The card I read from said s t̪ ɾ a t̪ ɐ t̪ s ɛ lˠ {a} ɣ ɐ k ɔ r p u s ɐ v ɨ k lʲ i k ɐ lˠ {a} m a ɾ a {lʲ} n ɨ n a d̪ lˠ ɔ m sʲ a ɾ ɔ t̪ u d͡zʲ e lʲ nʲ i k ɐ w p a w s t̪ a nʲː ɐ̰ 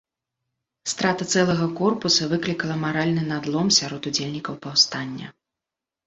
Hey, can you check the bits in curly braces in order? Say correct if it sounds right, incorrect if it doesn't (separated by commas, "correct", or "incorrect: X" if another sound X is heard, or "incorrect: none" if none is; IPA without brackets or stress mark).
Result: incorrect: ɐ, incorrect: ɐ, correct